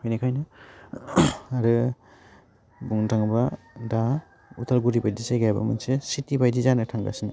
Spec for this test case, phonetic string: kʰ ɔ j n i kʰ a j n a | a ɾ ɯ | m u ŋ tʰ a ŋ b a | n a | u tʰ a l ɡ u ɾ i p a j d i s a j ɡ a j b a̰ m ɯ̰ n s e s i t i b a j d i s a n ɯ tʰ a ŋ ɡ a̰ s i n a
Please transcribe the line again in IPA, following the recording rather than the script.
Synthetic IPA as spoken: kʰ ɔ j n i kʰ a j n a | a ɾ ɯ | b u ŋ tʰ a ŋ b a | d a | u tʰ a l ɡ u ɾ i b a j d i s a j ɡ a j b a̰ m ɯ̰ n s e s i t i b a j d i z a n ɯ tʰ a ŋ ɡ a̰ s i n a